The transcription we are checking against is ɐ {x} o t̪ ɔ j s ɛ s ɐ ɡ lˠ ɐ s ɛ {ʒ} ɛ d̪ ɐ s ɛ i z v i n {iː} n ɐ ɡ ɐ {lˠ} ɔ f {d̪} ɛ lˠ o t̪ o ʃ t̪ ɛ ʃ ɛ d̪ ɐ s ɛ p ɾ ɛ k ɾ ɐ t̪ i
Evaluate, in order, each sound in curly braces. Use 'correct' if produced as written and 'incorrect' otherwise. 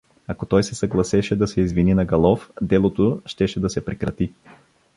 incorrect: k, incorrect: ʃ, incorrect: i, correct, correct

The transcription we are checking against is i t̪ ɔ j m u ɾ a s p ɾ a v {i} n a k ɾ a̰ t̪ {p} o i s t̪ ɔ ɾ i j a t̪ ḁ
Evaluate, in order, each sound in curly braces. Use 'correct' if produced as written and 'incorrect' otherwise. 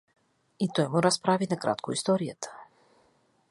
correct, incorrect: k

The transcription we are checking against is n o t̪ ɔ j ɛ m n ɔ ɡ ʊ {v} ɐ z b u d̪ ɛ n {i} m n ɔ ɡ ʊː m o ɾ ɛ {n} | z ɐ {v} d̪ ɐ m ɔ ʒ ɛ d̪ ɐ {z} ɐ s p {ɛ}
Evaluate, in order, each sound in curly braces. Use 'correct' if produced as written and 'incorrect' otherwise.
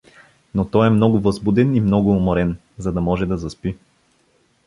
correct, correct, correct, incorrect: none, correct, incorrect: i

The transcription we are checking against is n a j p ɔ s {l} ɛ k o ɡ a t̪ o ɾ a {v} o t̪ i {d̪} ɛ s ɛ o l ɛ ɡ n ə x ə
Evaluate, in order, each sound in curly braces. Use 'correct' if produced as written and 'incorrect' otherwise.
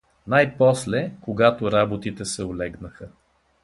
correct, incorrect: b, incorrect: t̪

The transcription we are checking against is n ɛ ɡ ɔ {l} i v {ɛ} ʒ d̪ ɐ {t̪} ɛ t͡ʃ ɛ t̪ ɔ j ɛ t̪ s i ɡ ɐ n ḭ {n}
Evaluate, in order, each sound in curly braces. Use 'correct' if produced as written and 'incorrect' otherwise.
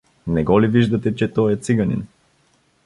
correct, incorrect: i, correct, correct

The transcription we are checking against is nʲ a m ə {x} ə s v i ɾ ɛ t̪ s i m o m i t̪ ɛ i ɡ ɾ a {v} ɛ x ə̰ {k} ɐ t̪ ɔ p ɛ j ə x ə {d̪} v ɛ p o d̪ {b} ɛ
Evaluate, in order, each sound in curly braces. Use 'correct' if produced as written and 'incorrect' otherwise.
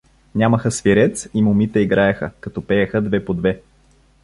correct, incorrect: none, correct, correct, incorrect: v

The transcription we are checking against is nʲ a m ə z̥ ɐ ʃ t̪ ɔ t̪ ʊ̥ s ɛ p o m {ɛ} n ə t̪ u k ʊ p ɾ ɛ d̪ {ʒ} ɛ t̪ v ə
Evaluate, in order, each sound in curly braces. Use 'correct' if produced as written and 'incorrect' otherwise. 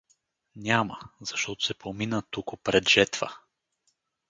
incorrect: i, correct

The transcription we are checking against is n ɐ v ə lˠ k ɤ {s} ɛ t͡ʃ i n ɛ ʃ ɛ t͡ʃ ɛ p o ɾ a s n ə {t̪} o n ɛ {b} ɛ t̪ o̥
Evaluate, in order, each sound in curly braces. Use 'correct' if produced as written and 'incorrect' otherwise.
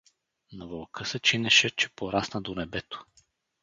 correct, incorrect: d̪, correct

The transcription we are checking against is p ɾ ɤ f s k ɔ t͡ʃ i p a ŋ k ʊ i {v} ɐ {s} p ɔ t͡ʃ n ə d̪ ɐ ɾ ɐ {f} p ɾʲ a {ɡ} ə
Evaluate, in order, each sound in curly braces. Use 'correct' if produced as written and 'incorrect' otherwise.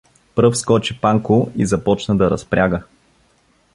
incorrect: z, incorrect: none, incorrect: s, correct

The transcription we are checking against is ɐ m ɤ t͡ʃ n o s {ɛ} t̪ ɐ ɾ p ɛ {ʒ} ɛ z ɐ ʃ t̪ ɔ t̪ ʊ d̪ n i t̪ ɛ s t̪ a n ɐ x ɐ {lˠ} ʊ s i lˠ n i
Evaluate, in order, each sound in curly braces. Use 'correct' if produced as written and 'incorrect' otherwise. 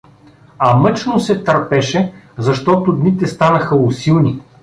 correct, incorrect: ʃ, incorrect: none

